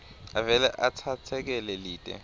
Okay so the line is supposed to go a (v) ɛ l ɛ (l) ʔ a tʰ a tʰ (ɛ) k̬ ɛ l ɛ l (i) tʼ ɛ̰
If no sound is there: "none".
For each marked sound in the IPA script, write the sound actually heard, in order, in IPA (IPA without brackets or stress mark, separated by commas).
v, none, ɛ, iː